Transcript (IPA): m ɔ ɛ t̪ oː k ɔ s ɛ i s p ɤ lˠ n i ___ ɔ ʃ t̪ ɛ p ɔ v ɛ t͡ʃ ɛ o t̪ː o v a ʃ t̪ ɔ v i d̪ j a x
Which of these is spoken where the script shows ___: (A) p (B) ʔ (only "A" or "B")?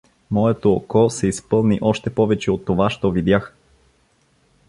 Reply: B